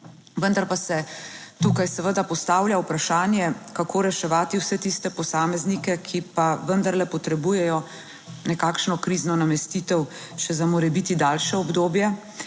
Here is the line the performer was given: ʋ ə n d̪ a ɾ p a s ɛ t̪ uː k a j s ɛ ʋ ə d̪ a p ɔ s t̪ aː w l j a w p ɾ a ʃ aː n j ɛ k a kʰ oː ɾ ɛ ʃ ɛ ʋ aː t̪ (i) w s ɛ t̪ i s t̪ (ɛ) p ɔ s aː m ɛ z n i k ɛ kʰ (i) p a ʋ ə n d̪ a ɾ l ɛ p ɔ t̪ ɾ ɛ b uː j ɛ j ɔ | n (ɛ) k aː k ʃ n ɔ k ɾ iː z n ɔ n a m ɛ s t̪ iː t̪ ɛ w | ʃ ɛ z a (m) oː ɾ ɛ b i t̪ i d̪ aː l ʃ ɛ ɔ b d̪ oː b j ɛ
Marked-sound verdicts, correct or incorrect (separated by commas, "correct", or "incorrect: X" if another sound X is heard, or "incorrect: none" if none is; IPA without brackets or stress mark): correct, correct, correct, correct, correct